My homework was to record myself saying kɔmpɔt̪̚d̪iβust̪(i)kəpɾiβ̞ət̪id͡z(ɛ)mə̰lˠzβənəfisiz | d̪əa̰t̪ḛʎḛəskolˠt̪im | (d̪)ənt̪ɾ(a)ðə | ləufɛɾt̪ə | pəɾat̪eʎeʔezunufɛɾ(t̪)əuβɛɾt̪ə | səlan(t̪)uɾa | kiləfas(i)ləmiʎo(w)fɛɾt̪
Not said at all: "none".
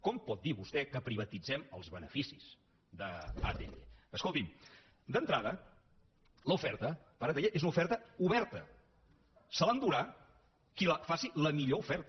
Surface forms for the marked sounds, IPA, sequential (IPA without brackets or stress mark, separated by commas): ɛ, ɛ, d̪, a, t̪, d̪, i, u